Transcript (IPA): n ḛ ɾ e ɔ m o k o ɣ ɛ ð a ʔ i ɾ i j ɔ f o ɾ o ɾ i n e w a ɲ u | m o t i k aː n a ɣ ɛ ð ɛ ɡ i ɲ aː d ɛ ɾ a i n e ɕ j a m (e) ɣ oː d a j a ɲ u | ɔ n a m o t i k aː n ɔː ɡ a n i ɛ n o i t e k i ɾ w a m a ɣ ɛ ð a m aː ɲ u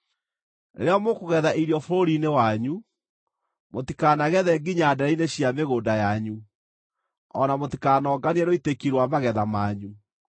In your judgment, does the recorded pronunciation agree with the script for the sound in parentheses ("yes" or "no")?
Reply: yes